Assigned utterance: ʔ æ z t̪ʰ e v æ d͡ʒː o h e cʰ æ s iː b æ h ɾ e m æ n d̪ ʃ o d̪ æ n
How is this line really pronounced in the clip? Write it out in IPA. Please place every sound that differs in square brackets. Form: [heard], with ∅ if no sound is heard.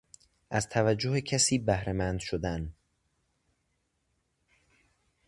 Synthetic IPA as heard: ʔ æ z t̪ʰ [æ] v æ d͡ʒː o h e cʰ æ s iː b æ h ɾ e m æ n d̪ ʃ o d̪ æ n